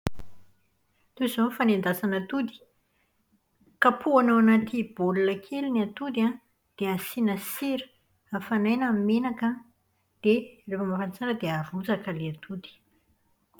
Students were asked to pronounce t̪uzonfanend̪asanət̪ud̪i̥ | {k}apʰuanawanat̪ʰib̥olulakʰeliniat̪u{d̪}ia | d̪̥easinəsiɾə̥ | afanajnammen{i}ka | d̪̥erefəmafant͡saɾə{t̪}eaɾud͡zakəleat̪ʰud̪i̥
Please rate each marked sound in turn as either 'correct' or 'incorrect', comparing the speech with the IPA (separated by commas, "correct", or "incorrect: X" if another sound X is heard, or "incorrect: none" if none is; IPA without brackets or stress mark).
correct, correct, incorrect: a, incorrect: d̪